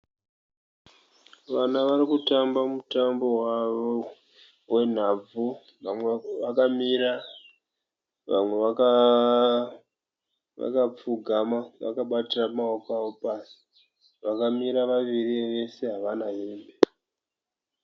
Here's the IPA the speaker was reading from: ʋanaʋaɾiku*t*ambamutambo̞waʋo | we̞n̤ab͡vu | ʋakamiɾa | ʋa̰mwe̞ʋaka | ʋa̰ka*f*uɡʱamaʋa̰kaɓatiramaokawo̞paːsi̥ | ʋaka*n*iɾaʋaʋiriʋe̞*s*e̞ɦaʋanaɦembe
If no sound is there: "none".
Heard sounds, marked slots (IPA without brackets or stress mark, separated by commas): t, p͡f, m, s